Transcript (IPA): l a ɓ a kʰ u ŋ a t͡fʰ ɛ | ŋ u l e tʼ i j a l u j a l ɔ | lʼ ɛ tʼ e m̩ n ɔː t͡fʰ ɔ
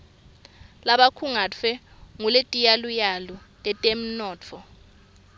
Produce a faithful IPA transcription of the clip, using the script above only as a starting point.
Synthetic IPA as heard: l a ɓ a kʰ u ŋ a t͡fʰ ɛ | ŋ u l e tʼ i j a l u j a l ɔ | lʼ ɛ tʼ e m̩ n ɔː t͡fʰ ɔ